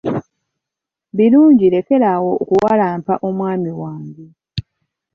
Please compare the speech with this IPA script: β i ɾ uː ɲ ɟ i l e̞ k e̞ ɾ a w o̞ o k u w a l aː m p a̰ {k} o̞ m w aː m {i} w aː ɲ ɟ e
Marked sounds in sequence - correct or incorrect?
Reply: incorrect, correct

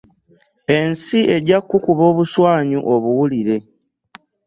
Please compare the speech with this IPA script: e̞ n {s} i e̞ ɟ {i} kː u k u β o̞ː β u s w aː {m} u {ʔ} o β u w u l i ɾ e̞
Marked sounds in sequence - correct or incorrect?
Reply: correct, incorrect, incorrect, correct

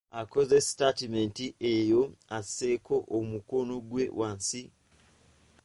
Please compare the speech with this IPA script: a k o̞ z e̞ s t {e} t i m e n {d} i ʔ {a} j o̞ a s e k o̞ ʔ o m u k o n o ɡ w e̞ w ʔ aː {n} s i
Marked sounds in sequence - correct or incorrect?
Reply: incorrect, incorrect, incorrect, correct

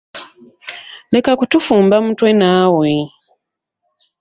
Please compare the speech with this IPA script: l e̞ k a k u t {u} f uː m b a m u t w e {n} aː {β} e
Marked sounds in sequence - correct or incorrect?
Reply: correct, correct, incorrect

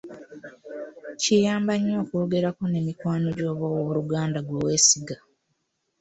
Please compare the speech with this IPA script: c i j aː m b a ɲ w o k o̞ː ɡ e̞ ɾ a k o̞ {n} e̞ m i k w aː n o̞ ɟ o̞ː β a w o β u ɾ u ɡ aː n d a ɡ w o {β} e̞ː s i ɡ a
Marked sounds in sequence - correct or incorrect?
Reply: correct, incorrect

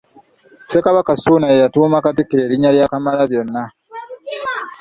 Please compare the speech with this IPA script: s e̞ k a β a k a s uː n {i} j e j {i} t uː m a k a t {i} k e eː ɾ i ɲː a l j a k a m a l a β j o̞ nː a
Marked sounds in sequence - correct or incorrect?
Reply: incorrect, incorrect, correct

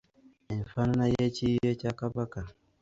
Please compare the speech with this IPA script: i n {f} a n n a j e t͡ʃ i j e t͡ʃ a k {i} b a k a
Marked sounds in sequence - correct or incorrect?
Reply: correct, incorrect

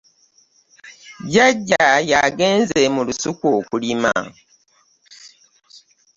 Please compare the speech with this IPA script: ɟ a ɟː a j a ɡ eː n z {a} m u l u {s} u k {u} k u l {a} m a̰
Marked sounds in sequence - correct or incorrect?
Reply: incorrect, correct, incorrect, incorrect

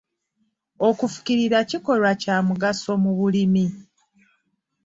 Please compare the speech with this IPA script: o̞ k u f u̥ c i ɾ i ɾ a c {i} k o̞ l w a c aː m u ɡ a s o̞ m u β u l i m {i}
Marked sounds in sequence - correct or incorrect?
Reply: correct, correct

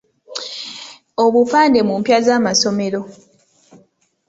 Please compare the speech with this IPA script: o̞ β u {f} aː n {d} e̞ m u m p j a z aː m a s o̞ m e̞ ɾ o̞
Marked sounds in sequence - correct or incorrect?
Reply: correct, correct

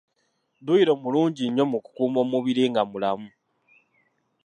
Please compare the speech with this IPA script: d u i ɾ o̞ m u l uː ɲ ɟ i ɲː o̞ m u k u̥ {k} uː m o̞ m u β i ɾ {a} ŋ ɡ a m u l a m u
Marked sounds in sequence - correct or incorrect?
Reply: correct, incorrect

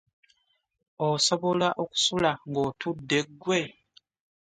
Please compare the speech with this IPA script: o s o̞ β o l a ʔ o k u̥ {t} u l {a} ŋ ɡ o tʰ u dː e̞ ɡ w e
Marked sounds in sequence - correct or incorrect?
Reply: incorrect, correct

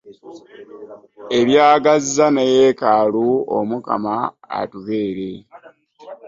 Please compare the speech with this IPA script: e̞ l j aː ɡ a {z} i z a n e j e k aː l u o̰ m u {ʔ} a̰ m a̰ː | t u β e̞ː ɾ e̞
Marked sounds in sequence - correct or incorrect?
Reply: correct, incorrect

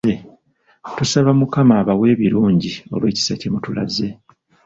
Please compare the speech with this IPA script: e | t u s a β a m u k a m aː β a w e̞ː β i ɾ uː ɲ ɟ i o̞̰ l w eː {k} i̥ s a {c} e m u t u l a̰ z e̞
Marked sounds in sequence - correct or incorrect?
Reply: incorrect, correct

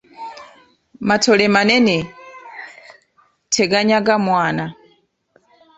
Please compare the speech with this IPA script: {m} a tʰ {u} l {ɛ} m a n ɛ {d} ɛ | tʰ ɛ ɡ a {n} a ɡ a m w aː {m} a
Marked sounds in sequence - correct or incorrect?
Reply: correct, incorrect, correct, incorrect, incorrect, incorrect

